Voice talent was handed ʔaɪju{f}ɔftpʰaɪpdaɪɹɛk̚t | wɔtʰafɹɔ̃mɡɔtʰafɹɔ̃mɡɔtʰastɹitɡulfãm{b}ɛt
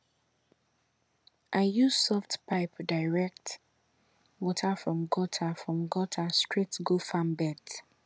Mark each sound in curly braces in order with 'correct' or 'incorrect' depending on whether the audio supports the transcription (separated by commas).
incorrect, correct